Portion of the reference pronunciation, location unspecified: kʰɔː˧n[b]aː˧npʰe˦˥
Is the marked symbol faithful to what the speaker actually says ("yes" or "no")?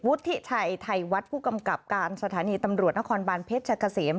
yes